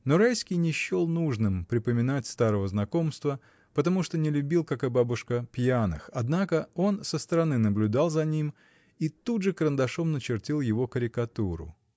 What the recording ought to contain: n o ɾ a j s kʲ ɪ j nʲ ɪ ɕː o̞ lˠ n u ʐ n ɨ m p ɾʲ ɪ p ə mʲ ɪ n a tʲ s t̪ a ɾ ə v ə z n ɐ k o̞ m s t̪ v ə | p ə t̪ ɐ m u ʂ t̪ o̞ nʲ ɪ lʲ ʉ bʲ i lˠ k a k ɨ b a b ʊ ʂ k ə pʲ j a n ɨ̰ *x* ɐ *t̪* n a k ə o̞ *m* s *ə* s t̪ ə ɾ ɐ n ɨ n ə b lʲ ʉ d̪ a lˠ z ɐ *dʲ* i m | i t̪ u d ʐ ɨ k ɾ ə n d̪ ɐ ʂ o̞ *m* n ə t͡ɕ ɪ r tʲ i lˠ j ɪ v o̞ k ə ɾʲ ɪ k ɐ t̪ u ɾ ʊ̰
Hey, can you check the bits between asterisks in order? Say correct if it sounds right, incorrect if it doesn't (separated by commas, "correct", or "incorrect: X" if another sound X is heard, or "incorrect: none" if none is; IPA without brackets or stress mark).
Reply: correct, incorrect: d̪, incorrect: n, correct, incorrect: nʲ, correct